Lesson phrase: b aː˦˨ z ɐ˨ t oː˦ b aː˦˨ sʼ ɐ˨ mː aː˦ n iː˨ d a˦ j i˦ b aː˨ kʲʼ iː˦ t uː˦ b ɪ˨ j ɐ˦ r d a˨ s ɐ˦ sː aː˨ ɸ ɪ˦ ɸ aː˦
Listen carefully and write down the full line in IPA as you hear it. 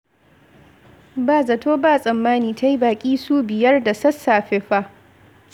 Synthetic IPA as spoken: b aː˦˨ z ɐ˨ t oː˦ b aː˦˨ sʼ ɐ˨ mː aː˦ n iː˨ t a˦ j i˦ b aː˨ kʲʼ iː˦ s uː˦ b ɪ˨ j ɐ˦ r d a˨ s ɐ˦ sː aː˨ ɸ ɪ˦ ɸ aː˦